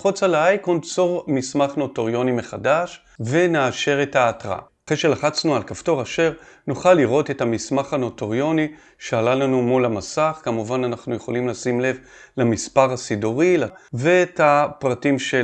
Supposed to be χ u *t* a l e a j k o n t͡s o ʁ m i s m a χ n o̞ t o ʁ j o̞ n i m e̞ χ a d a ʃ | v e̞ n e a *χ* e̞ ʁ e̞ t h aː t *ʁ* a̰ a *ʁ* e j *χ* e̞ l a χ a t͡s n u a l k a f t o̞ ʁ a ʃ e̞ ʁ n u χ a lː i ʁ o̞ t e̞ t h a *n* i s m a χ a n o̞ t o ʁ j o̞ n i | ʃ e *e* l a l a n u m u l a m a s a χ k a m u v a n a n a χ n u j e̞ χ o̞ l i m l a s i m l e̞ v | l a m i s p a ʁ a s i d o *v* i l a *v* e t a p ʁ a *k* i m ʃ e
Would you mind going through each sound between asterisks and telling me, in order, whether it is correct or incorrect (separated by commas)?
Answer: incorrect, incorrect, correct, incorrect, incorrect, incorrect, incorrect, incorrect, correct, incorrect